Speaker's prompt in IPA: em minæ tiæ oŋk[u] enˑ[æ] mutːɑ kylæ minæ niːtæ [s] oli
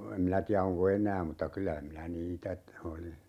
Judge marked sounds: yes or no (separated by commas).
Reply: no, no, no